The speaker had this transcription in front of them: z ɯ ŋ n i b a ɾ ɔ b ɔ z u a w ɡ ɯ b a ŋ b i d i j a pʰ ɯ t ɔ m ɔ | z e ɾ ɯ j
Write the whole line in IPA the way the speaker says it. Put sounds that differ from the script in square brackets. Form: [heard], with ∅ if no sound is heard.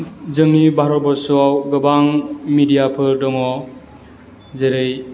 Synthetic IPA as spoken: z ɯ ŋ n i b a ɾ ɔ b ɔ [s] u a w ɡ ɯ b a ŋ [m] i d i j a pʰ ɯ [d] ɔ [ŋ] ɔ | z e ɾ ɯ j